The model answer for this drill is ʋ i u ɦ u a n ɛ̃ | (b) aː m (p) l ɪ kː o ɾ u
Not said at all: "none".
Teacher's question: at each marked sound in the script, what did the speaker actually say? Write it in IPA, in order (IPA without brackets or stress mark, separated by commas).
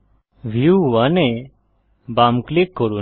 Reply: b, k